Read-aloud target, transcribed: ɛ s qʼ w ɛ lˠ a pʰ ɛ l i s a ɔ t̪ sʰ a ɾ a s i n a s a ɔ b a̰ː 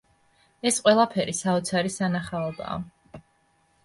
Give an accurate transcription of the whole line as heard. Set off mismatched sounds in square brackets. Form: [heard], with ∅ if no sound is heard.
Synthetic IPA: ɛ s qʼ w ɛ lˠ a pʰ ɛ [ɾ] i s a ɔ t̪ sʰ a ɾ [i] s [a] n a [χ] a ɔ b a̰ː